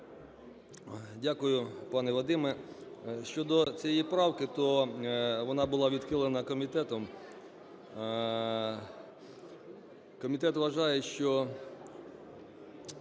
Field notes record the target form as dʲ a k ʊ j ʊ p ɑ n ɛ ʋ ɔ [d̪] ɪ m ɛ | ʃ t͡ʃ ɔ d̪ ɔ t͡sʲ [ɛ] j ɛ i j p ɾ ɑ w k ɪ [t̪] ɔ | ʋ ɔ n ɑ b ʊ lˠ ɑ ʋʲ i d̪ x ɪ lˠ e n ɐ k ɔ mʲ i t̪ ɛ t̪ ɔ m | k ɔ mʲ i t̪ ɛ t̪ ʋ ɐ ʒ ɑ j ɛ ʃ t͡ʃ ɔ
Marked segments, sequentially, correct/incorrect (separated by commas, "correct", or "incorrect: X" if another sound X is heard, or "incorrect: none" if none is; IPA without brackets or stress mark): correct, incorrect: i, correct